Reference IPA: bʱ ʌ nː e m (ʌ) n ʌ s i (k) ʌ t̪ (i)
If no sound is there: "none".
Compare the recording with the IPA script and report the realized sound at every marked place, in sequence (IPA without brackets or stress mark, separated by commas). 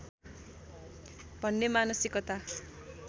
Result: a, k, a